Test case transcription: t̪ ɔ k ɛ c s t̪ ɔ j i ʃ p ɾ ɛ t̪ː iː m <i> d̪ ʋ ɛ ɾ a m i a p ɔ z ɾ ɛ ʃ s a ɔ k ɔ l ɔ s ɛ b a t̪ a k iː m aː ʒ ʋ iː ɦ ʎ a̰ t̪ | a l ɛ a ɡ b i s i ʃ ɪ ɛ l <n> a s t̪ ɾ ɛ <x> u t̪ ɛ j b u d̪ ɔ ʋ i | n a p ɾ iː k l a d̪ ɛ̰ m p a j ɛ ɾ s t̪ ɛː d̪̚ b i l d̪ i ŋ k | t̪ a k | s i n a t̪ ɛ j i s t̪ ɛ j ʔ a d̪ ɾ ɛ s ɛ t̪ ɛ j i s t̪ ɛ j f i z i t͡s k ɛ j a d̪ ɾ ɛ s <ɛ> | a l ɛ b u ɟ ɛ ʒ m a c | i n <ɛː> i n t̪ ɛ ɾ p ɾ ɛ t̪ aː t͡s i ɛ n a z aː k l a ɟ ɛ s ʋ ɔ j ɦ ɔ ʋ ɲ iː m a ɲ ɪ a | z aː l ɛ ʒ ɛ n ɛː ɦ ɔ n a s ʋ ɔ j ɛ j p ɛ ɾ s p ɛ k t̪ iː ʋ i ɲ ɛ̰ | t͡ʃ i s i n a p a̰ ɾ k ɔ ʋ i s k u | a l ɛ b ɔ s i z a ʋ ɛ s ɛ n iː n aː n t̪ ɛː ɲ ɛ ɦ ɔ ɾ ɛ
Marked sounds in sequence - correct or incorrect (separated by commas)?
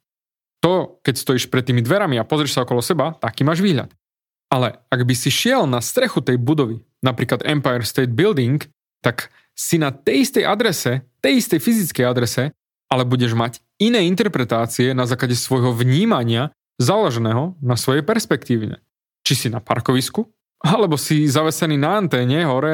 correct, correct, correct, correct, correct